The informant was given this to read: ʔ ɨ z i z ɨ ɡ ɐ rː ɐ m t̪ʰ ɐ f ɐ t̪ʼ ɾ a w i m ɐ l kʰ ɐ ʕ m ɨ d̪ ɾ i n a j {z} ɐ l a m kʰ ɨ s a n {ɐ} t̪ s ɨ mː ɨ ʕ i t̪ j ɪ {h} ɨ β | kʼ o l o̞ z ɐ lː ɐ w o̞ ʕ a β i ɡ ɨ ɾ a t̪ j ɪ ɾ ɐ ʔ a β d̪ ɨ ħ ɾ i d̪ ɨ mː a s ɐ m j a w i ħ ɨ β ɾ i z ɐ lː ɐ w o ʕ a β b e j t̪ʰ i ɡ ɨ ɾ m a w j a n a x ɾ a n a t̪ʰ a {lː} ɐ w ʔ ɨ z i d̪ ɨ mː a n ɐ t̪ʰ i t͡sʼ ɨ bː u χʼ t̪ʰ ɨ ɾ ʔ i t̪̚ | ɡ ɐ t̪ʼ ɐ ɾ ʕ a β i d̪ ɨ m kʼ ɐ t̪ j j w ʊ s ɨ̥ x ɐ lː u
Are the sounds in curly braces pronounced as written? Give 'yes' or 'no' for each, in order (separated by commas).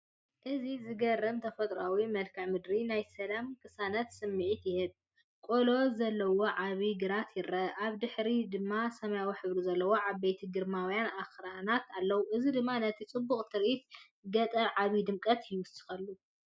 no, yes, yes, yes